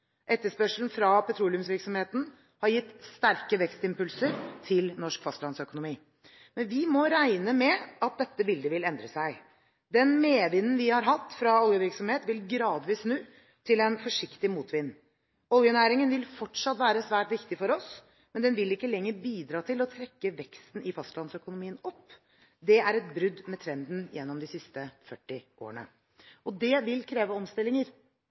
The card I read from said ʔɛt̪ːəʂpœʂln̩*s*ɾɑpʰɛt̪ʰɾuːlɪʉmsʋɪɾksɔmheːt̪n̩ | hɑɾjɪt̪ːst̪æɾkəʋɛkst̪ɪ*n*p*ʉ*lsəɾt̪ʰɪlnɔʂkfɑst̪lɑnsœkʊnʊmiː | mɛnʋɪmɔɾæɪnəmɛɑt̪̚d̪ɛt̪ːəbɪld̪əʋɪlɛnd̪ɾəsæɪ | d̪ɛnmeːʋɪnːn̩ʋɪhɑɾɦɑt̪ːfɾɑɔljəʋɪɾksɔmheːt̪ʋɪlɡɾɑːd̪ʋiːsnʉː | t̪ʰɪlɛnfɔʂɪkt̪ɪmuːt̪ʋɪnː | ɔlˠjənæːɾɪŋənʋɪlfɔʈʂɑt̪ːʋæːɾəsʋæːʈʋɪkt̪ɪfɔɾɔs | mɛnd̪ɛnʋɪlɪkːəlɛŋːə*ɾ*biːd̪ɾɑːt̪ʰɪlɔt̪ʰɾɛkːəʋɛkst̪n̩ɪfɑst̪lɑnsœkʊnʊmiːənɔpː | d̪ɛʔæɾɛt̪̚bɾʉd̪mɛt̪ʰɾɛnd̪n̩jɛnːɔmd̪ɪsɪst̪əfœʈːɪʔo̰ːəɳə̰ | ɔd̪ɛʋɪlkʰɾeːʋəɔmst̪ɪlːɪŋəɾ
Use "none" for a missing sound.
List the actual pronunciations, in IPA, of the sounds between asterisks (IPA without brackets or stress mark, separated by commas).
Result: f, m, ʉ, ɾ